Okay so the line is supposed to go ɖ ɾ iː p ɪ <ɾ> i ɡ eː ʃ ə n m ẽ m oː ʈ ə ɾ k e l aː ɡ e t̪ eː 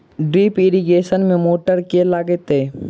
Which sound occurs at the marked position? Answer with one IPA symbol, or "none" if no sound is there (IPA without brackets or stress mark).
ɾ